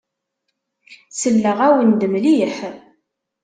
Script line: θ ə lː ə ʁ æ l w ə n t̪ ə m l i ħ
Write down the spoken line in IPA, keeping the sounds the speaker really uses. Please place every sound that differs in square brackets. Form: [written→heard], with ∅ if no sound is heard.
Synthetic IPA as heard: [θ→s] ə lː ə ʁ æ [l→∅] w ə n [t̪→d̪] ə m l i ħ